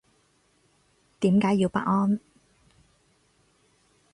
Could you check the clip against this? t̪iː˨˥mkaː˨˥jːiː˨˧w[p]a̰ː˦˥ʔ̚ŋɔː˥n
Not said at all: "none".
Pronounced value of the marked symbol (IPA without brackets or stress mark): p